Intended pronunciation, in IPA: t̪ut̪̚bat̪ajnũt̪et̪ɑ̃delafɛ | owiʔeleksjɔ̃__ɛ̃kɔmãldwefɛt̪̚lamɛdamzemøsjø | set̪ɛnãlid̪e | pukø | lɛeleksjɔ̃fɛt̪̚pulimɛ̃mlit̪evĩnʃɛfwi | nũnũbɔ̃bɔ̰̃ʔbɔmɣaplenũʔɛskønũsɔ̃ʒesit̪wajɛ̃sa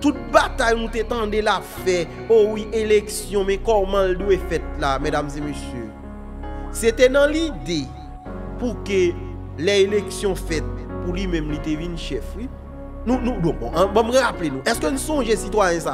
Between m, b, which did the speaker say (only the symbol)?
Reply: m